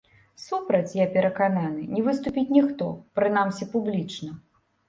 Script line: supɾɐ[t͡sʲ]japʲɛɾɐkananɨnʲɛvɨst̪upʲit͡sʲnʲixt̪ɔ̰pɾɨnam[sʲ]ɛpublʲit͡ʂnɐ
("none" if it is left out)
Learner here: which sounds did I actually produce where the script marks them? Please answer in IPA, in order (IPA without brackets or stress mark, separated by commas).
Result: t͡sʲ, sʲ